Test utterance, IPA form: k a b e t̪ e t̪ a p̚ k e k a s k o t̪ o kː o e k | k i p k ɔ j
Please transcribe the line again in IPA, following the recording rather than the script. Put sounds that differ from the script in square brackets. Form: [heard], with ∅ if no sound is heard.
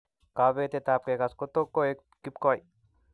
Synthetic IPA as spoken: k a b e t̪ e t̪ a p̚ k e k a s k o t̪ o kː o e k | k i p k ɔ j